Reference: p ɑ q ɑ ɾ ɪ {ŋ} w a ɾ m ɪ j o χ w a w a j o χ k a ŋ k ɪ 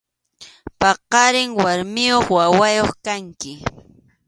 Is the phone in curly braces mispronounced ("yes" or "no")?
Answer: no